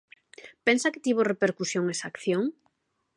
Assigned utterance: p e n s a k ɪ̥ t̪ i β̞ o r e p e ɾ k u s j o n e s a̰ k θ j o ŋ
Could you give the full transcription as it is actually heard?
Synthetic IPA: p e n s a k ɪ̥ t̪ i β̞ o r e p e ɾ k u s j o ŋ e s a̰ k θ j o ŋ